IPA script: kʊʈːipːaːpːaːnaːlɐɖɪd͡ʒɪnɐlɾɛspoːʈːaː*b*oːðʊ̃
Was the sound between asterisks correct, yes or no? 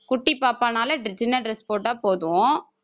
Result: no